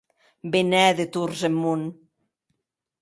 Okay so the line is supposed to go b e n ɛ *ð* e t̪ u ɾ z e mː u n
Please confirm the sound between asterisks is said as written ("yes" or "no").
yes